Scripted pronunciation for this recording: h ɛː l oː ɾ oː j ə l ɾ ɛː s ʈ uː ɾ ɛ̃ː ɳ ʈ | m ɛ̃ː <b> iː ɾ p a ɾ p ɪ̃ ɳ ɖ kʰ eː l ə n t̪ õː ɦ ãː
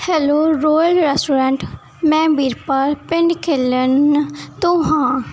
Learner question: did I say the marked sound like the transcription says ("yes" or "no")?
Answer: yes